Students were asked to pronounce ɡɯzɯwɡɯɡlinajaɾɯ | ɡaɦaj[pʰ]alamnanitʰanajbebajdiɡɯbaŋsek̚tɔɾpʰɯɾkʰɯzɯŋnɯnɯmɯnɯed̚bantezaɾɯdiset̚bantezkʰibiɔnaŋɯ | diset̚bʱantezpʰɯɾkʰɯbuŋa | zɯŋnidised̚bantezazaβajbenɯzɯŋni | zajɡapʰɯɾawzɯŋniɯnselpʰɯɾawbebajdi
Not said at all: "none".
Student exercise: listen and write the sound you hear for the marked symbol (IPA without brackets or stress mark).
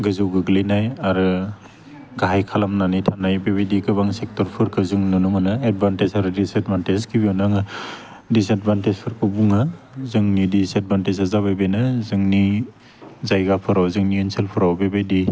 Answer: kʰ